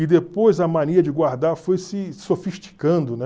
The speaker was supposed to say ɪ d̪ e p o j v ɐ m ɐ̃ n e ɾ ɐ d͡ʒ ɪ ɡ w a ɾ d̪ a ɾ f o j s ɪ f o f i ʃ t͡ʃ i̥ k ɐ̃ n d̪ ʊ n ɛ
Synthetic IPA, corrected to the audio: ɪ d̪ e p o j z ɐ m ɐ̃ n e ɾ ɐ d͡ʒ ɪ ɡ w a ɾ d̪ a ɾ f o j s ɪ s o f i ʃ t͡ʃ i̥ k ɐ̃ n d̪ ʊ n ɛ